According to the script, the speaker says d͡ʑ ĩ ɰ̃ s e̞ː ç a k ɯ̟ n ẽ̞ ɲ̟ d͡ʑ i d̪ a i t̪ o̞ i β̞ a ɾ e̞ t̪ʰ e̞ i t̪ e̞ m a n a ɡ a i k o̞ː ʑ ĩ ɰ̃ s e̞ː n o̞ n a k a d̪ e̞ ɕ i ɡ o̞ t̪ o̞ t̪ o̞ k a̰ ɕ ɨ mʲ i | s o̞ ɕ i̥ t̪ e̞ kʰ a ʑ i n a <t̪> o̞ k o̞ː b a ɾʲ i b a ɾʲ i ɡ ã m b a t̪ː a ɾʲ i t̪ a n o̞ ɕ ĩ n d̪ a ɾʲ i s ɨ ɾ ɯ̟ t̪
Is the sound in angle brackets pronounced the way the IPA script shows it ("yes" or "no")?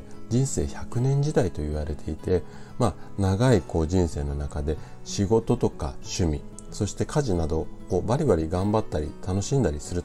no